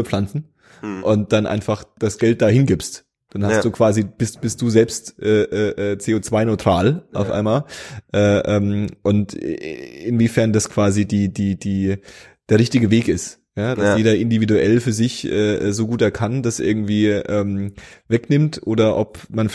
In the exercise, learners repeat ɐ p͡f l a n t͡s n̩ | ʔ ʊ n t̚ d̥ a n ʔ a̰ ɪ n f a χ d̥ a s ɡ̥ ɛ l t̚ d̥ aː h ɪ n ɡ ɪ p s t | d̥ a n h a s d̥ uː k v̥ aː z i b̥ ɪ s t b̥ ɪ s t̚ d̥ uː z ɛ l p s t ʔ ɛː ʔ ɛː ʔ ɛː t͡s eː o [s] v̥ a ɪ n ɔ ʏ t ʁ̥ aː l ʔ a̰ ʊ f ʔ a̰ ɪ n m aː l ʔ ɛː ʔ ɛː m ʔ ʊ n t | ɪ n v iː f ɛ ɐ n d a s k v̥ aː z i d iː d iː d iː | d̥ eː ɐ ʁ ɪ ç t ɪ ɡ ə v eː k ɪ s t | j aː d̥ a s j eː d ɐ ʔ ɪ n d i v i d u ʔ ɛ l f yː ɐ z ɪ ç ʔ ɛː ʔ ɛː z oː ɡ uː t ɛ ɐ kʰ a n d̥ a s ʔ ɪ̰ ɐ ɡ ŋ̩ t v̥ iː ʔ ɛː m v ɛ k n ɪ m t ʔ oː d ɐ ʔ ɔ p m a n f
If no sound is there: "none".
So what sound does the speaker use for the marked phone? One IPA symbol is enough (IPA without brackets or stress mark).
t͡s